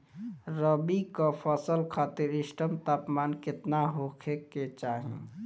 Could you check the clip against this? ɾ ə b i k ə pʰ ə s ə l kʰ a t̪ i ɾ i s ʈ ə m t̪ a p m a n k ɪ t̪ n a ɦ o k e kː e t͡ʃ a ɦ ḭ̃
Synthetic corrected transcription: ɾ ə b i k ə pʰ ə s ə l kʰ a t̪ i ɾ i s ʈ ə m t̪ a p m a n k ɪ t̪ n a ɦ o kʰ e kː e t͡ʃ a ɦ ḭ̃